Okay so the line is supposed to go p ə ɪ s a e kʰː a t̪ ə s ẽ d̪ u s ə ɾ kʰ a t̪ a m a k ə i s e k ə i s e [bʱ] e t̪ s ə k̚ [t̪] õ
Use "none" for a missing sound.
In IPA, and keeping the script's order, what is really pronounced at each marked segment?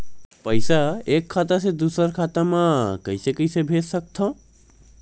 bʱ, t̪ʰ

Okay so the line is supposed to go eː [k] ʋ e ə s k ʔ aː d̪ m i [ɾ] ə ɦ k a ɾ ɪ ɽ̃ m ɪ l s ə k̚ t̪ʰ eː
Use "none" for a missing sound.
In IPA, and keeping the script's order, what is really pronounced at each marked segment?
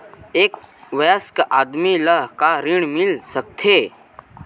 k, l

